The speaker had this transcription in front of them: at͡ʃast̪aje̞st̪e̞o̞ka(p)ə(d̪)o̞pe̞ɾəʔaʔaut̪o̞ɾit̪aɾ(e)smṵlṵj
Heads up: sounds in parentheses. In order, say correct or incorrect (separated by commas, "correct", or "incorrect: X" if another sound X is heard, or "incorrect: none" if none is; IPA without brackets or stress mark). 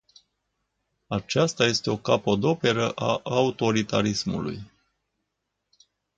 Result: correct, correct, incorrect: i